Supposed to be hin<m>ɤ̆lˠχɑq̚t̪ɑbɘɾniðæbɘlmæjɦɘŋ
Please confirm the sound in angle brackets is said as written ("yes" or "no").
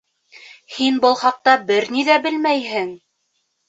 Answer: no